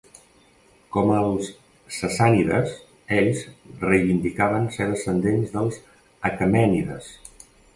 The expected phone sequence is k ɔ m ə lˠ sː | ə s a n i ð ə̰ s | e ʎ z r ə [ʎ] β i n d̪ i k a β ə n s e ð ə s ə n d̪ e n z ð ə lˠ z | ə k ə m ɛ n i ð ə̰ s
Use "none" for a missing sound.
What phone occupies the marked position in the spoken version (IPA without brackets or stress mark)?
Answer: j